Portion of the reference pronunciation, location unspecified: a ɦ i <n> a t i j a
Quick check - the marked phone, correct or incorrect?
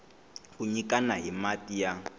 incorrect